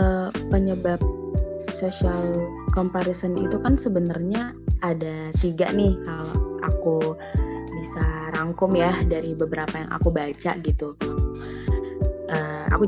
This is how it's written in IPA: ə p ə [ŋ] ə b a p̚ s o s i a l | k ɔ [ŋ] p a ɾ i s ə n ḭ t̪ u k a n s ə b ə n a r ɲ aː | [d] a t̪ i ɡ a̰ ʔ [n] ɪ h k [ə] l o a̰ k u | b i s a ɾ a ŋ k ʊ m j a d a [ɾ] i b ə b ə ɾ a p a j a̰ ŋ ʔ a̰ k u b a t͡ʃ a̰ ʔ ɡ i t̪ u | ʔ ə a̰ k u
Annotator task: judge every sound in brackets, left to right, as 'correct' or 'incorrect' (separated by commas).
incorrect, incorrect, correct, correct, incorrect, correct